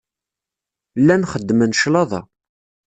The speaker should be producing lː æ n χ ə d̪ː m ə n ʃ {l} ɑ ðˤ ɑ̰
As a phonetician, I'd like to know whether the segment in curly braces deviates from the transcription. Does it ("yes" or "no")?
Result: no